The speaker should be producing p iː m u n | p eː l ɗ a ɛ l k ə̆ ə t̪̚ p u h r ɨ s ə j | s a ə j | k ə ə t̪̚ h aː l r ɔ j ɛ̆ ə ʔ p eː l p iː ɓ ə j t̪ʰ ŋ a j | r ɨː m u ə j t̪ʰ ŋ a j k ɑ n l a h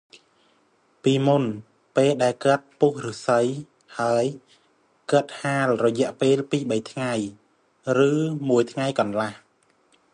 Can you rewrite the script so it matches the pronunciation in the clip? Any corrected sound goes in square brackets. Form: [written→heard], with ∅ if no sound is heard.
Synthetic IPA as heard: p iː m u n | p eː l ɗ a ɛ l k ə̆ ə t̪̚ p u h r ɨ s ə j | [s→h] a ə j | k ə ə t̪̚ h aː l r ɔ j ɛ̆ ə ʔ p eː l p iː ɓ ə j t̪ʰ ŋ a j | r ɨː m u ə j t̪ʰ ŋ a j k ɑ n l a h